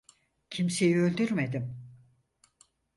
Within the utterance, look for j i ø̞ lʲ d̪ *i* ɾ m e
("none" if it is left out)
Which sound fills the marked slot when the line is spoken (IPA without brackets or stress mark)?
y